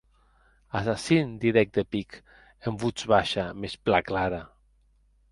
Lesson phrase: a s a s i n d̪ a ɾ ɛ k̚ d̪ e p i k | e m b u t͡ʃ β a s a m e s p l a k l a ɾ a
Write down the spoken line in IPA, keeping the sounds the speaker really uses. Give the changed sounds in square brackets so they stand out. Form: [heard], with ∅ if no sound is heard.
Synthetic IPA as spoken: a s a s i n d̪ [i] ɾ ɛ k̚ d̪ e p i k | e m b u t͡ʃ β a [ʃ] a m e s p l a k l a ɾ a